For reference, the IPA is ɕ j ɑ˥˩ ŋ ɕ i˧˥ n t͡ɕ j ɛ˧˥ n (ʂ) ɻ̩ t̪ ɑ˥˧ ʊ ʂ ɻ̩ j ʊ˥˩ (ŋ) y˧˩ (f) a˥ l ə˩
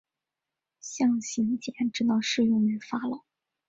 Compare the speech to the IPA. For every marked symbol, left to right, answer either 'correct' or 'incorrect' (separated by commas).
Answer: incorrect, correct, correct